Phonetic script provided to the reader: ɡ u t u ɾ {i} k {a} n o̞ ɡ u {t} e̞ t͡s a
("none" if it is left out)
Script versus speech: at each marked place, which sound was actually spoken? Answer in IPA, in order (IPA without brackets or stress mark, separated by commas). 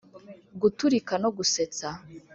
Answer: i, a, s